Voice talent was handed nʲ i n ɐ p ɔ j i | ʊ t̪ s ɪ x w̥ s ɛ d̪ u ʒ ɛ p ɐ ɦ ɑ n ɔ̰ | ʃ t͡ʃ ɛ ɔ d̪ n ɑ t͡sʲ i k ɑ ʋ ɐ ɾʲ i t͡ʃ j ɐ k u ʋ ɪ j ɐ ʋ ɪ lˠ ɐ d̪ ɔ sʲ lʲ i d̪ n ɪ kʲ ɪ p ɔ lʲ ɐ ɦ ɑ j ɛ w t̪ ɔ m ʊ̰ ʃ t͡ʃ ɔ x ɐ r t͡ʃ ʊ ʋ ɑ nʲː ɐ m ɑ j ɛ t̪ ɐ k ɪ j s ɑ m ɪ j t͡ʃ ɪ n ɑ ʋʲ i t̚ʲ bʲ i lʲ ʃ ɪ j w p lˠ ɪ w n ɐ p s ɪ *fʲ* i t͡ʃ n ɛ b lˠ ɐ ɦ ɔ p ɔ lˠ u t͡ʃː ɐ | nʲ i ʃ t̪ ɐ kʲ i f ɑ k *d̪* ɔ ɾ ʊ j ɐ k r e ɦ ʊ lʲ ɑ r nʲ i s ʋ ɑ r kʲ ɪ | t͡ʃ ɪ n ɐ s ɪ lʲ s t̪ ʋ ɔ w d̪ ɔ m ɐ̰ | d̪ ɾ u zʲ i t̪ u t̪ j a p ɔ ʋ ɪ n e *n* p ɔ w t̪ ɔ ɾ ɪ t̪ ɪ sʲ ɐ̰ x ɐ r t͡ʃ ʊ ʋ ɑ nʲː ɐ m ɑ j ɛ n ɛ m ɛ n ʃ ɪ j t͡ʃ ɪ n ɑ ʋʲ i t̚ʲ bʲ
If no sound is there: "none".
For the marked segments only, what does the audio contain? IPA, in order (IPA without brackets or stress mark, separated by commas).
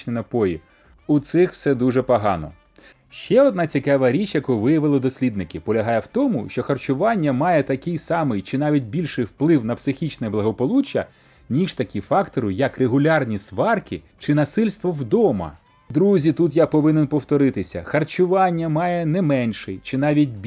xʲ, t̪, n